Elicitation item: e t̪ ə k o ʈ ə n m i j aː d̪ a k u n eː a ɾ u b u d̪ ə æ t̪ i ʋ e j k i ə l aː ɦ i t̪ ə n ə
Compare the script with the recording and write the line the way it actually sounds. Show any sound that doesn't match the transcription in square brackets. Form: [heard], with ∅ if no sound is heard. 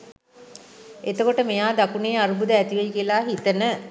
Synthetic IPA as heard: e t̪ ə k o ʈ ə [∅] m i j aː d̪ a k u n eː a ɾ u b u d̪ ə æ t̪ i ʋ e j k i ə l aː ɦ i t̪ ə n ə